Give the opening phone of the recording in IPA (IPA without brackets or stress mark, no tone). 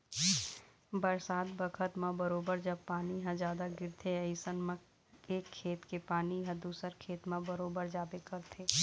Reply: b